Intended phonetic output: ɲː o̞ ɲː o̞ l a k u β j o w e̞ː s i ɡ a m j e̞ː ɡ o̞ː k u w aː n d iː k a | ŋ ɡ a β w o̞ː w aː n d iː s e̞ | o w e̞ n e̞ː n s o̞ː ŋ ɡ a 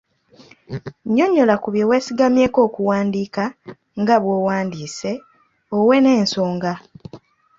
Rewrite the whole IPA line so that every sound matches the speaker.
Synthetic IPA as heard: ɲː o̞ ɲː o̞ l a k u β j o w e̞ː s i ɡ a m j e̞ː k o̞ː k u w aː n d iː k a | ŋ ɡ a β w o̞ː w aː n d iː s e̞ | o w e̞ n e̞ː n s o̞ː ŋ ɡ a